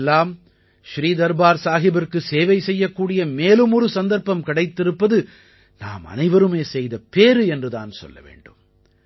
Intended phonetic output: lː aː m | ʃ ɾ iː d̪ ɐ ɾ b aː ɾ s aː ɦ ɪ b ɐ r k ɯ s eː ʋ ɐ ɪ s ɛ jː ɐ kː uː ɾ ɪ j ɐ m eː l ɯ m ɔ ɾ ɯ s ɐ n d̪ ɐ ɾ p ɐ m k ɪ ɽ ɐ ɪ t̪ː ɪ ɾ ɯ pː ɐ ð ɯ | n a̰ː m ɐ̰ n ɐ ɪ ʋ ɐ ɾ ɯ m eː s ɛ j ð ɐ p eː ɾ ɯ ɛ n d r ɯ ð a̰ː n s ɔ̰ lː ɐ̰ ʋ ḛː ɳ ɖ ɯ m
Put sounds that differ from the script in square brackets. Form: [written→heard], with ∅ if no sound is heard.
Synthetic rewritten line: lː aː m | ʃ ɾ iː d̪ ɐ ɾ b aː ɾ s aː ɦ ɪ b ɐ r k ɯ s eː ʋ ɐ ɪ s ɛ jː ɐ kː uː [ɾ→ɽ] ɪ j ɐ m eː l ɯ m ɔ ɾ ɯ s ɐ n d̪ ɐ ɾ p ɐ m k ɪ ɽ ɐ ɪ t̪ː ɪ ɾ ɯ pː ɐ ð ɯ | n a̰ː m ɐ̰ n ɐ ɪ ʋ ɐ ɾ ɯ m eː s ɛ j ð ɐ p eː ɾ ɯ ɛ n d r ɯ ð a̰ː n s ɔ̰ lː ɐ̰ ʋ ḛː ɳ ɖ ɯ m